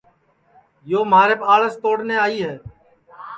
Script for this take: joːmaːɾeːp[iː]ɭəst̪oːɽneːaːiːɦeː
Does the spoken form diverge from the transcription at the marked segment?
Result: yes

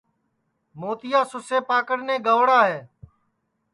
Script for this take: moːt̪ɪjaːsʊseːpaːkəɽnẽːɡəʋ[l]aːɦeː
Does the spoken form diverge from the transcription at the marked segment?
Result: yes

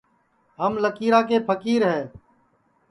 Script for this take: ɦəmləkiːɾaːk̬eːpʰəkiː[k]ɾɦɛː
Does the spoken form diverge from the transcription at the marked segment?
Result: yes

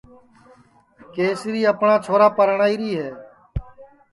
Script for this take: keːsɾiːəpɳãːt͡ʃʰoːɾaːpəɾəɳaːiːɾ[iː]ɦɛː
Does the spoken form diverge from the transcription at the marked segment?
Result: no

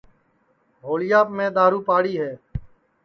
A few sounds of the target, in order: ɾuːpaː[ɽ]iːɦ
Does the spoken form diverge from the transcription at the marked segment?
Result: no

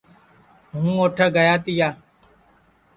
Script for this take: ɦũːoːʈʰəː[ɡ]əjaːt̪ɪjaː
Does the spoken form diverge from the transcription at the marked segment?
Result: no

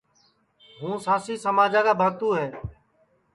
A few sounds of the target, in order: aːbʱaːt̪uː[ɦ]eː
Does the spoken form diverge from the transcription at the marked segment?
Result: no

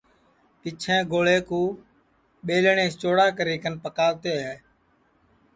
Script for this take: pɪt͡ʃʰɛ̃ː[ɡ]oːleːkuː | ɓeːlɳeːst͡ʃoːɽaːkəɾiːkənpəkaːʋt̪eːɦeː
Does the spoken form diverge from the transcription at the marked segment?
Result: no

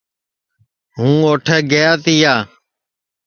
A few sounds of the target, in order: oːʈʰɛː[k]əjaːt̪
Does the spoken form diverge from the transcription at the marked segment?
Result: yes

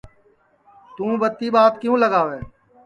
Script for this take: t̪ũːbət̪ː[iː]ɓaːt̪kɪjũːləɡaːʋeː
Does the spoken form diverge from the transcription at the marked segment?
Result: no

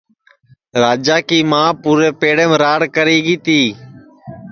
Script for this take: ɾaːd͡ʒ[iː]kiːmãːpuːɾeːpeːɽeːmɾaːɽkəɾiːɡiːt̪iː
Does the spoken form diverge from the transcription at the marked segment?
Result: yes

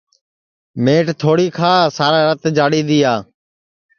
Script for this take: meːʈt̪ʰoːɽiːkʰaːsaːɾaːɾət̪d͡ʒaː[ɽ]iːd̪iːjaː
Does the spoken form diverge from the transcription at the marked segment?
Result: no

